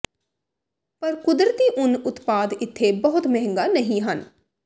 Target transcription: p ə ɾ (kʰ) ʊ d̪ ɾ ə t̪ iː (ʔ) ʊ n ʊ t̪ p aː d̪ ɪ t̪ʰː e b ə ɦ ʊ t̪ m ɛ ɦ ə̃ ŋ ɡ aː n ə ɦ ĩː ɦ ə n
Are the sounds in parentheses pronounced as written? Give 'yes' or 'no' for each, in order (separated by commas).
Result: no, yes